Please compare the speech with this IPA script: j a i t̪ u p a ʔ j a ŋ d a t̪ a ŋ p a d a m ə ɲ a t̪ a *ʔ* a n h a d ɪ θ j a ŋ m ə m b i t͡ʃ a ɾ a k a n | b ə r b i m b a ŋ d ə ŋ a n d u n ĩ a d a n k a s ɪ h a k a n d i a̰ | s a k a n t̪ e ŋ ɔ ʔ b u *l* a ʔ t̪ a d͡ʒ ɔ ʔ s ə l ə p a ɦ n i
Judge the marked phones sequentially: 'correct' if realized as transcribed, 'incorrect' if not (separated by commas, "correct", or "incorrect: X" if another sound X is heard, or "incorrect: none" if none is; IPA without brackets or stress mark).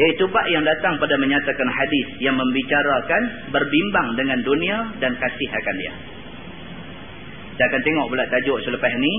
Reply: incorrect: k, correct